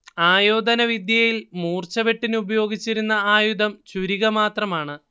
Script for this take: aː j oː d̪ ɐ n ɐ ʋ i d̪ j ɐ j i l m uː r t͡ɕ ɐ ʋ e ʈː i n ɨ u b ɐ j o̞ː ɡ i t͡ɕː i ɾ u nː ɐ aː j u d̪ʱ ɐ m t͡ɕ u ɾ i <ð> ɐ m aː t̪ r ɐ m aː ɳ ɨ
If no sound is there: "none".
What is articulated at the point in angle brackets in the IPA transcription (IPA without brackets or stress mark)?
ɣ